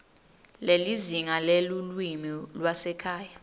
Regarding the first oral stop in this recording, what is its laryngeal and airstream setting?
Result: aspirated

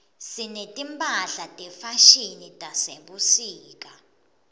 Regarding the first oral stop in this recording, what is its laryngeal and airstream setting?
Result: ejective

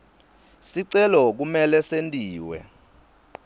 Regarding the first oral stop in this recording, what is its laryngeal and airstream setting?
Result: click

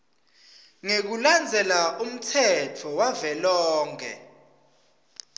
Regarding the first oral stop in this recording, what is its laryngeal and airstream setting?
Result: plain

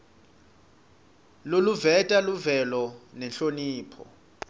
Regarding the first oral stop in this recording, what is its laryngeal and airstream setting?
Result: ejective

